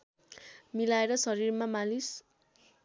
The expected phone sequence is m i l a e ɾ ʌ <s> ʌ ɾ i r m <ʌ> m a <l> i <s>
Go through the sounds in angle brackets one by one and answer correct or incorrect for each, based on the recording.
correct, incorrect, correct, correct

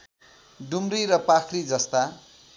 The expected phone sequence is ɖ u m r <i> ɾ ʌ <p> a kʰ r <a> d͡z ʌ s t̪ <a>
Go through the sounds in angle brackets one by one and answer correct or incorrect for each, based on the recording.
correct, correct, incorrect, correct

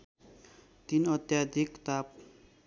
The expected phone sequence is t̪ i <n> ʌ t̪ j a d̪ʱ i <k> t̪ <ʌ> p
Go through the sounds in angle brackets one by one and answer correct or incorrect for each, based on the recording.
correct, correct, incorrect

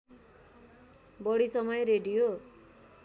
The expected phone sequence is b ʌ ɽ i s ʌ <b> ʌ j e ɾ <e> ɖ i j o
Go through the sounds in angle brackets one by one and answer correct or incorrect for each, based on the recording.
incorrect, correct

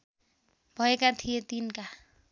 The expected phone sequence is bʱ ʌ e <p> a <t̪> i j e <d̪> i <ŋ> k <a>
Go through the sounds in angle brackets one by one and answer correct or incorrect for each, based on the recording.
incorrect, incorrect, incorrect, incorrect, correct

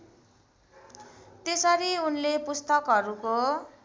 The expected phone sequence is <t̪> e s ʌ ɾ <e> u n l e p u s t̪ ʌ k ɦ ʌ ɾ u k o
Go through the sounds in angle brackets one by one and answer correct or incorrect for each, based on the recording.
correct, incorrect

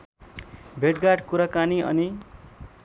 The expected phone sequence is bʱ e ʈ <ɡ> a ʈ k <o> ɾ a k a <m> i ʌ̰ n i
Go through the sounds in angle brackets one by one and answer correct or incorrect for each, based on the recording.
correct, incorrect, incorrect

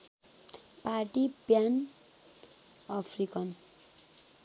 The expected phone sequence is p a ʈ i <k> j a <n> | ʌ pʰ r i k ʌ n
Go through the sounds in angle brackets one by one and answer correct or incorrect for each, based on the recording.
incorrect, correct

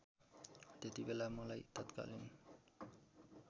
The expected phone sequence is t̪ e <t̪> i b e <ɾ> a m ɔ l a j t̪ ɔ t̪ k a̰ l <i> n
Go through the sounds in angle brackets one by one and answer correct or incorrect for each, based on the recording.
correct, incorrect, correct

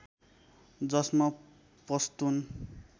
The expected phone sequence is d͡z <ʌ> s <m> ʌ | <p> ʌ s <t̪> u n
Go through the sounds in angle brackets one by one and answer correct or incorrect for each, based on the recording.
correct, correct, correct, correct

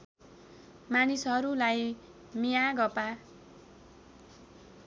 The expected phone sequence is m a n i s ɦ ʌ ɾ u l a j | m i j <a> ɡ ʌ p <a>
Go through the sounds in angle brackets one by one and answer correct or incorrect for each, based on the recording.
correct, correct

